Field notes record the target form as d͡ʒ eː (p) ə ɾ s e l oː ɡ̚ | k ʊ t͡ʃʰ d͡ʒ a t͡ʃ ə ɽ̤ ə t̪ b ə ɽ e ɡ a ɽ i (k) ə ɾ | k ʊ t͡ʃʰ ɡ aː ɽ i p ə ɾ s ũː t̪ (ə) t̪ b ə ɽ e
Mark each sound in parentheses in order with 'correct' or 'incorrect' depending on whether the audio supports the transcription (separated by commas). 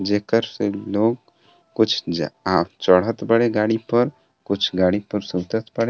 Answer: incorrect, incorrect, correct